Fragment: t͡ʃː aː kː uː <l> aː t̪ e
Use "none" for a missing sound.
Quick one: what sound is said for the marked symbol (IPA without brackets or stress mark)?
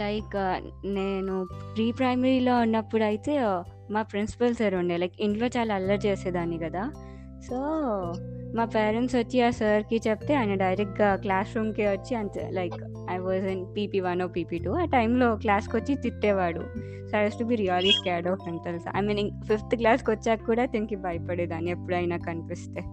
ɽ